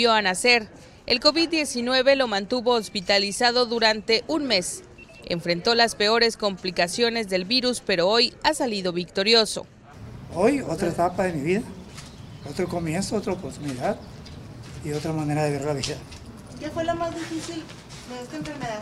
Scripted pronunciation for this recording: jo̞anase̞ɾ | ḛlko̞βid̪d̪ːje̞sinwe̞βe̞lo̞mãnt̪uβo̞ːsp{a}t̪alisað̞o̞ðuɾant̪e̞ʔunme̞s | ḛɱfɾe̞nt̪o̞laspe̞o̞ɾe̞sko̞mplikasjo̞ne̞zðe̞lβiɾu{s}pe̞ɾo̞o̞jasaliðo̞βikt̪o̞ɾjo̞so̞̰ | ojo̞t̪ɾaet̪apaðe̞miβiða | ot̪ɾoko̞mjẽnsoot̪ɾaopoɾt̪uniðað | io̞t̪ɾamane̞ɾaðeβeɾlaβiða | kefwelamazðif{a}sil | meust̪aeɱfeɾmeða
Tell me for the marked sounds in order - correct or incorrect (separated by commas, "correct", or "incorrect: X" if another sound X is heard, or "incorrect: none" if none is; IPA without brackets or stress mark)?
incorrect: i, correct, incorrect: i